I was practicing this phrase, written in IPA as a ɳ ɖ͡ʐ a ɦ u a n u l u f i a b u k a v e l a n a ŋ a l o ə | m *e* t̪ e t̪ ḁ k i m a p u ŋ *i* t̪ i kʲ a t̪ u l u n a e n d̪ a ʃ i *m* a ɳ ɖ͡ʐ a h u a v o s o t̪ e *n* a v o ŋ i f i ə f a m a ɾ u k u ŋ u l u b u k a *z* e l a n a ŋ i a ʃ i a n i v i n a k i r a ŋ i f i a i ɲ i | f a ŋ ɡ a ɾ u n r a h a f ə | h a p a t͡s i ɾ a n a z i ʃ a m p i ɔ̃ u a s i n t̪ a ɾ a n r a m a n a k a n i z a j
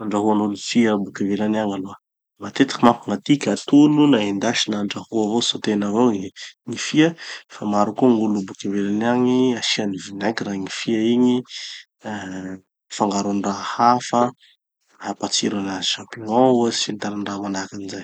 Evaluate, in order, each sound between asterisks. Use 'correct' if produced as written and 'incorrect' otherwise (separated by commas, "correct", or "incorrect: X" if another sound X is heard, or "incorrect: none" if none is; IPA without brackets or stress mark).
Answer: incorrect: a, incorrect: a, incorrect: n, correct, incorrect: v